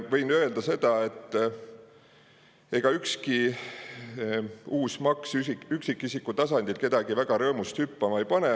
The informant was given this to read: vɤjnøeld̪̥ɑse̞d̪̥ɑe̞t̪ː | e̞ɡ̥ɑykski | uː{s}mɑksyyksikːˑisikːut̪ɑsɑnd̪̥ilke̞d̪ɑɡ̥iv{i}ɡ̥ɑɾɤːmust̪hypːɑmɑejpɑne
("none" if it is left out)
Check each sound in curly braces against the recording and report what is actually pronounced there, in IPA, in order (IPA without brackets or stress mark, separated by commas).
s, æ